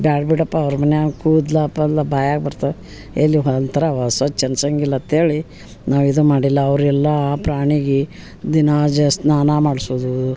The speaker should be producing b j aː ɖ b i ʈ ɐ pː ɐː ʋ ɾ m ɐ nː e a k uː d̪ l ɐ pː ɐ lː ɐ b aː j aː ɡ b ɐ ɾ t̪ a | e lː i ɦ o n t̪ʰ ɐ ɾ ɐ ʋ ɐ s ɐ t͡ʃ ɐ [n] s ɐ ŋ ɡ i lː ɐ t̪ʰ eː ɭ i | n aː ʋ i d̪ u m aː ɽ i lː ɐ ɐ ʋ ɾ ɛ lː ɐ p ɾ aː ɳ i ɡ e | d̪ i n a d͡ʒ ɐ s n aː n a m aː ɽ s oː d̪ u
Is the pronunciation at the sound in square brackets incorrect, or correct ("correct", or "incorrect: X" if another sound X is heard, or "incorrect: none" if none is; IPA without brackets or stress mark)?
correct